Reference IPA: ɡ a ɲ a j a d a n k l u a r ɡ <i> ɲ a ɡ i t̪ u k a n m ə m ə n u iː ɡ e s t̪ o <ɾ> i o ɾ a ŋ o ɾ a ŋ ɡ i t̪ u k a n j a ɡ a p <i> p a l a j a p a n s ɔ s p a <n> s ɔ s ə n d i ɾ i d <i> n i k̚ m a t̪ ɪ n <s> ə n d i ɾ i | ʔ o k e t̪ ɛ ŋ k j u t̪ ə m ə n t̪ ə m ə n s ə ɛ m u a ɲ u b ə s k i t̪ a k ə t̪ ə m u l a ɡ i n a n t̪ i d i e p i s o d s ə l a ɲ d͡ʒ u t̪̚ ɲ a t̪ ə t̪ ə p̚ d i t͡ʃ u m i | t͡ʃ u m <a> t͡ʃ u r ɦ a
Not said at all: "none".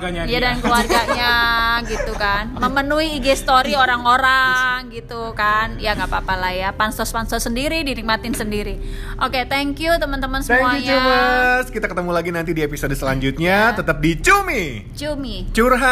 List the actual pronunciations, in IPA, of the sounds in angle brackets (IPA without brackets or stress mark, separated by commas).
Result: a, ɾ, a, n, i, s, i